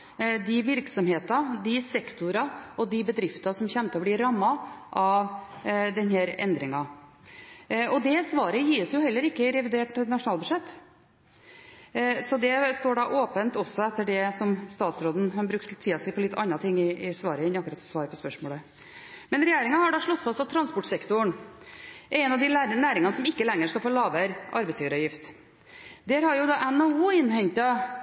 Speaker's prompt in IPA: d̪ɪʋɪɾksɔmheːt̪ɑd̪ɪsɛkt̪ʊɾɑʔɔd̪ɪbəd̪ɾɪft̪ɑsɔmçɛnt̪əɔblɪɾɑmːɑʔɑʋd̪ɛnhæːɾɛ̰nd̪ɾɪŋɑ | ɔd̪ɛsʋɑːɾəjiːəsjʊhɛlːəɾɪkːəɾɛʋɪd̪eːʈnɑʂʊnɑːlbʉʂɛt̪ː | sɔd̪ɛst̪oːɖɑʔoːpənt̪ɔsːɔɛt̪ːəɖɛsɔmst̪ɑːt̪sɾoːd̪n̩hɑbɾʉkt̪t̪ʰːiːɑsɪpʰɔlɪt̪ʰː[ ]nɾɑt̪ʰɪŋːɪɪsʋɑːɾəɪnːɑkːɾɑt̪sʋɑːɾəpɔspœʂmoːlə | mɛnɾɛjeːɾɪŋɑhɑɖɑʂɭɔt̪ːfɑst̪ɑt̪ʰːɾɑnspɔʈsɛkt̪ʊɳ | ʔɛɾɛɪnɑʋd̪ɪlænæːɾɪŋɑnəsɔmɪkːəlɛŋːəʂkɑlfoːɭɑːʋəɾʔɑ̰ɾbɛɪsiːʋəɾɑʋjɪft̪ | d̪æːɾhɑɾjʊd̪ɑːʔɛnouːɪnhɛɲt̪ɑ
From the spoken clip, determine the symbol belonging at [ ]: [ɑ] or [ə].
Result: ɑ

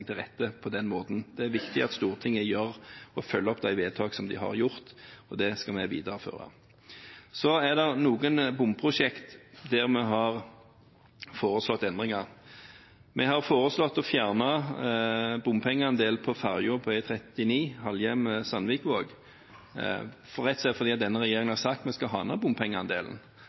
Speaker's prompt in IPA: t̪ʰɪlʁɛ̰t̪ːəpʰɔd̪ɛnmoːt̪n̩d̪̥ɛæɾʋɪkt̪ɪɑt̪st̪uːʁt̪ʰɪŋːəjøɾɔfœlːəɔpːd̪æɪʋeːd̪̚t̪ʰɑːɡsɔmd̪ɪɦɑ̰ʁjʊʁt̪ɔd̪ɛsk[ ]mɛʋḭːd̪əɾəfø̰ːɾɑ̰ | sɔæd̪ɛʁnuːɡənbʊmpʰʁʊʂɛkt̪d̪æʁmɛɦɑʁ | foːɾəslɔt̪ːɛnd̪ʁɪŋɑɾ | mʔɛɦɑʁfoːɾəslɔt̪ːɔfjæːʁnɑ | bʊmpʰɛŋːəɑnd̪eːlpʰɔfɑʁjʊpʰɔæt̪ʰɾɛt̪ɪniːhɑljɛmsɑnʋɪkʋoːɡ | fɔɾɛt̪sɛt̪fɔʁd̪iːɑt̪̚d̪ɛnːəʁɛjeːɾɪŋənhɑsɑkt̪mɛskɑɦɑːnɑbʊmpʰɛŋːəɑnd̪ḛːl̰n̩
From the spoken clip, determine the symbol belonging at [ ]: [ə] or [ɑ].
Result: ɑ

